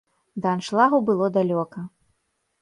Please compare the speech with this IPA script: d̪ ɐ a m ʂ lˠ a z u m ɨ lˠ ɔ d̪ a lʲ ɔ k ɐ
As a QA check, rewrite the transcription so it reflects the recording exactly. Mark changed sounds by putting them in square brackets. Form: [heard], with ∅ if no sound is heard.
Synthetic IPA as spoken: d̪ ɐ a [n] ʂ lˠ a [ɣ] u [b] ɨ lˠ ɔ d̪ a lʲ ɔ k ɐ